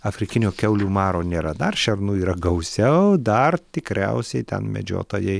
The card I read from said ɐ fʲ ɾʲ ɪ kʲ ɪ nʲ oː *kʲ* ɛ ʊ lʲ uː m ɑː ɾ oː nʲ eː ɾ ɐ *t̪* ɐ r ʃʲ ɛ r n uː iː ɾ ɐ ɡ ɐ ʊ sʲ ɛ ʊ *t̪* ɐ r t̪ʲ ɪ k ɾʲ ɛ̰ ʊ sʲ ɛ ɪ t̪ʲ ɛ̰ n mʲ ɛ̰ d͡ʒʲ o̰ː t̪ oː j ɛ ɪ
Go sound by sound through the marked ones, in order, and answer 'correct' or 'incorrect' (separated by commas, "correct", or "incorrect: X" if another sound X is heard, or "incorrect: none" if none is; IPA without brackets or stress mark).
correct, incorrect: d̪, incorrect: d̪